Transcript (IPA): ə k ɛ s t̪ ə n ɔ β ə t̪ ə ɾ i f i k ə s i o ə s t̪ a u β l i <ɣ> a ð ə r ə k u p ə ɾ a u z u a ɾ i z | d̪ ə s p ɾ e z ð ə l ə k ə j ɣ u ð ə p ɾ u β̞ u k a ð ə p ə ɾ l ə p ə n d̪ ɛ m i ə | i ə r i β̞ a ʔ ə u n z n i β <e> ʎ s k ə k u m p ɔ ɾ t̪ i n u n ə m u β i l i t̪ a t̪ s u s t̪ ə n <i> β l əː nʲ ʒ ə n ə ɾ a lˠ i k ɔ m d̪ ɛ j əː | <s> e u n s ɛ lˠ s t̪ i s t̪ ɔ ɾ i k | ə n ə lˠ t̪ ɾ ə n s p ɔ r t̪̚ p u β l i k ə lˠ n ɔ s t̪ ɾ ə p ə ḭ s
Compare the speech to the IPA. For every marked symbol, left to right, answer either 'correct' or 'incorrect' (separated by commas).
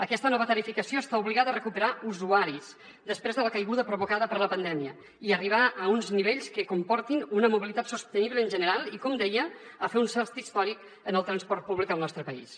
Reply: correct, correct, correct, incorrect